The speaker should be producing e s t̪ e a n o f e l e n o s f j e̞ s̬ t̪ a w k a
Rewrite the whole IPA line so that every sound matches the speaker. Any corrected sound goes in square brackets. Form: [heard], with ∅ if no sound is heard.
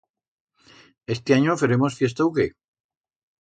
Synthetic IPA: e s t̪ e a [ɲ] o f e [ɾ] e [m] o s f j e̞ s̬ t̪ a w k [e]